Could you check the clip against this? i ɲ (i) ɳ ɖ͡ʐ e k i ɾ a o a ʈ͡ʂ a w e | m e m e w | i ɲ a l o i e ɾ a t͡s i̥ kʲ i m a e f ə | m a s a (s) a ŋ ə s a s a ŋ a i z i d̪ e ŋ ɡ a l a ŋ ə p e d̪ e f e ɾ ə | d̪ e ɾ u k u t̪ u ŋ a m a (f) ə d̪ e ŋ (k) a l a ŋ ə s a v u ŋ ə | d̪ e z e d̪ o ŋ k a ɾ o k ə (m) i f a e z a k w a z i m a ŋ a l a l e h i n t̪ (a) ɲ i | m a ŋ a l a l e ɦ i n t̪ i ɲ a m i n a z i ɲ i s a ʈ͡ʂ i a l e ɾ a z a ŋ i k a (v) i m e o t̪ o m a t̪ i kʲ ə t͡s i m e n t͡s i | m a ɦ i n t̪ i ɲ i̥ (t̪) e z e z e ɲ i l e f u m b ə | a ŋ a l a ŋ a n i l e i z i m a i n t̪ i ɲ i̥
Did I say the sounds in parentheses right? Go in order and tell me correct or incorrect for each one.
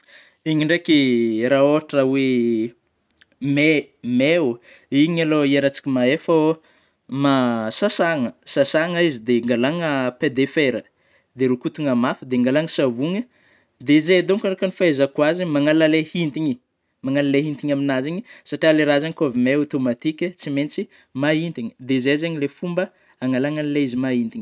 correct, correct, correct, incorrect: ɡ, incorrect: n, incorrect: i, correct, incorrect: d̪

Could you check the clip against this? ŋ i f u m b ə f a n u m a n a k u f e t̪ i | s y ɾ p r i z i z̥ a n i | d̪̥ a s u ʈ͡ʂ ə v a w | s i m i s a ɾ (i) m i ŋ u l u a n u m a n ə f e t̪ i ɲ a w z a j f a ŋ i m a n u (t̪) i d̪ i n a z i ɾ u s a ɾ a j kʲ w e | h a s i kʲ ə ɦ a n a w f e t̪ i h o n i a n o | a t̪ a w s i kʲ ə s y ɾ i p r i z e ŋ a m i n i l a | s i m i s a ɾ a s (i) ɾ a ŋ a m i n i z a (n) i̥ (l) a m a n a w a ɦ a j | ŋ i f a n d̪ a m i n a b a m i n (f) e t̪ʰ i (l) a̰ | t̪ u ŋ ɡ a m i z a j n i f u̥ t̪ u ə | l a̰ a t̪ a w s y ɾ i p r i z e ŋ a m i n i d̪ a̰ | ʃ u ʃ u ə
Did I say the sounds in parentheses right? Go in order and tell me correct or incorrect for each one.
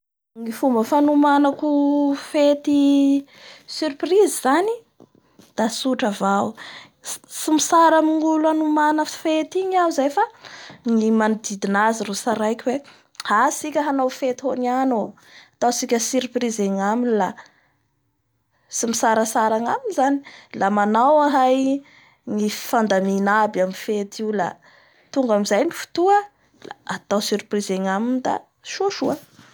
incorrect: a, incorrect: d̪, incorrect: a, correct, correct, correct, correct

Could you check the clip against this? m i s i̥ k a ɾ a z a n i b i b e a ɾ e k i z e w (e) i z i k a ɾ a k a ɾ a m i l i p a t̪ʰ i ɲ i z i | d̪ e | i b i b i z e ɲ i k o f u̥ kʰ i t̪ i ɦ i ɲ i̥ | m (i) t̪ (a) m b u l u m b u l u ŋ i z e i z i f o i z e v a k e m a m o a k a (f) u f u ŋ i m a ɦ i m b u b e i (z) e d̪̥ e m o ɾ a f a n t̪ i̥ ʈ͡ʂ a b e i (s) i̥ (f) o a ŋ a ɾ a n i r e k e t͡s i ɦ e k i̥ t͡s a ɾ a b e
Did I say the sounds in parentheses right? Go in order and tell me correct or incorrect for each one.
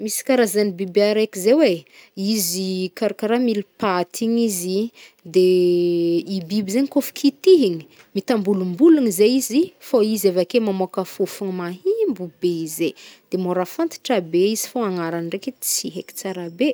correct, correct, correct, correct, correct, incorrect: z, correct

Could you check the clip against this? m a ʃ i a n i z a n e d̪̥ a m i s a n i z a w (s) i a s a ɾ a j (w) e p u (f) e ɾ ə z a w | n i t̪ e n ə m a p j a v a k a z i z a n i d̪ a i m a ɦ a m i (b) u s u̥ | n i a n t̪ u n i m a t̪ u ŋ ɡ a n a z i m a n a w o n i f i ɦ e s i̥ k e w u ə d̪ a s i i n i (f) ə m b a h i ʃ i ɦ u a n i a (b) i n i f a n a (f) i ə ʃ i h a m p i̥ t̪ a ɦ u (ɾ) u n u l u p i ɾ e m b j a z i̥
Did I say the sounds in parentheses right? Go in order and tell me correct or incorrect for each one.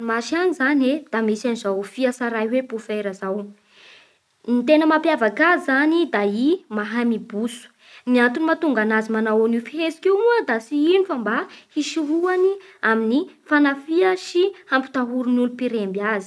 incorrect: f, correct, correct, correct, correct, incorrect: m, correct, correct

